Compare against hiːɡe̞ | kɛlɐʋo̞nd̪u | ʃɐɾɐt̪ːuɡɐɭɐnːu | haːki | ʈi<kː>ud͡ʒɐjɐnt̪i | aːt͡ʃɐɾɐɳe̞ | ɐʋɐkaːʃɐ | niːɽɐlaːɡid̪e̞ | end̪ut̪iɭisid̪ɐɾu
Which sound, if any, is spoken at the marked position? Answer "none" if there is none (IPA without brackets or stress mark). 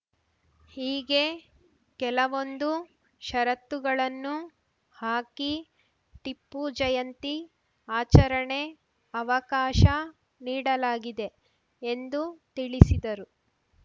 pː